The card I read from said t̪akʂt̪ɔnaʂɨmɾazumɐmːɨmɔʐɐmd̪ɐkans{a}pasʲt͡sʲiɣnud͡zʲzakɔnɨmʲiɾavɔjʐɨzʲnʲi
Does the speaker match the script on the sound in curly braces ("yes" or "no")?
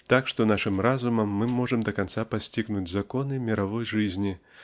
yes